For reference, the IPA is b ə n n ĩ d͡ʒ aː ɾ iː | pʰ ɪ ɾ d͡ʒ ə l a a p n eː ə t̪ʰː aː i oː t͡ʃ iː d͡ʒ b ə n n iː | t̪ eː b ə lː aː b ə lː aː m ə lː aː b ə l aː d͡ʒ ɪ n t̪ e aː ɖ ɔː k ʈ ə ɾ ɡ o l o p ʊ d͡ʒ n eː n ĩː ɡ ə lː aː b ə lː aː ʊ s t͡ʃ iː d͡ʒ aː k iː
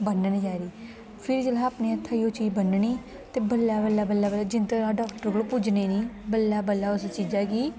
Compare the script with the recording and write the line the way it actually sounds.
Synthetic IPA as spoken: b ə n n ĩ d͡ʒ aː ɾ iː | pʰ ɪ ɾ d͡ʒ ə l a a p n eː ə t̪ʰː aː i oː t͡ʃ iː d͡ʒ b ə n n iː | t̪ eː b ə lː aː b ə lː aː b ə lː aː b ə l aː d͡ʒ ɪ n t̪ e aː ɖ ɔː k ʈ ə ɾ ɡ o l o p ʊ d͡ʒ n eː n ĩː b ə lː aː b ə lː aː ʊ s t͡ʃ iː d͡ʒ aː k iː